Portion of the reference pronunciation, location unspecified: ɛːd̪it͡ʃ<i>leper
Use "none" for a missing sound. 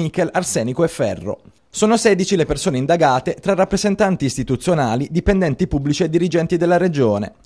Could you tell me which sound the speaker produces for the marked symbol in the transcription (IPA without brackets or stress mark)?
i